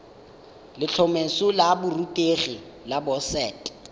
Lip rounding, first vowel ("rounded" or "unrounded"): unrounded